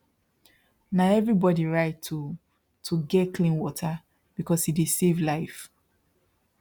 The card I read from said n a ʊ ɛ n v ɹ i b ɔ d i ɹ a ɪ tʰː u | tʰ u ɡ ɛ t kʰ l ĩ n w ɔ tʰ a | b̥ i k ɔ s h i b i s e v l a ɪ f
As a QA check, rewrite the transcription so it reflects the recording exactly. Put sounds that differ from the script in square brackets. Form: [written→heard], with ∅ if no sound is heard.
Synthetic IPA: n a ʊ ɛ [n→∅] v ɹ i b ɔ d i ɹ a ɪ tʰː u | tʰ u ɡ ɛ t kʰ l ĩ n w ɔ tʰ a | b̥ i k ɔ s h i [b→d] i s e v l a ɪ f